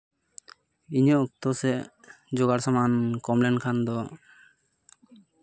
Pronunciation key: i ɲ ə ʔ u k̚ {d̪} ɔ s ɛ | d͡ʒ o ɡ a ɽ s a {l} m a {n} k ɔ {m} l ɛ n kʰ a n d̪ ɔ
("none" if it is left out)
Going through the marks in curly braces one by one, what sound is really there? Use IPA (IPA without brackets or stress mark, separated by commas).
t̪, none, n, m